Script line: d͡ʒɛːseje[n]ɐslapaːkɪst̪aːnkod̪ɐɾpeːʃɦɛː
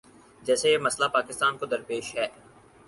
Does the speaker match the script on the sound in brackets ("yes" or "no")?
no